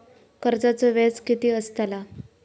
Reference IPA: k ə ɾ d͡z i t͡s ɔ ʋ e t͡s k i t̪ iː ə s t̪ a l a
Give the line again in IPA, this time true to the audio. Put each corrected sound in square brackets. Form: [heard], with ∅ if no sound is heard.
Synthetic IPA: k ə ɾ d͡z [a] t͡s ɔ ʋ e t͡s k i t̪ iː ə s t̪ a l a